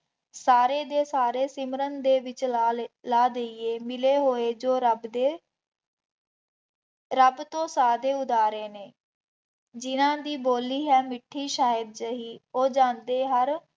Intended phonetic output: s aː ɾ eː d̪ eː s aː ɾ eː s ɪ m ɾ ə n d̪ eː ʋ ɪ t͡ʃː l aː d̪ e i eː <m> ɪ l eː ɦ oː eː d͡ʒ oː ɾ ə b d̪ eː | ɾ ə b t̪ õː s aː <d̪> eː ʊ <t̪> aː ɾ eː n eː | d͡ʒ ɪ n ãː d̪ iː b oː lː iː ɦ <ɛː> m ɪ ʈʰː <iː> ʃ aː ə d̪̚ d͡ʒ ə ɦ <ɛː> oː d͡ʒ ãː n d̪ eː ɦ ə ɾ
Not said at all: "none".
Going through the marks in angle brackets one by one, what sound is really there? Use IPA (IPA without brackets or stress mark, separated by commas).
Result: m, d̪, d̪, ɛː, iː, iː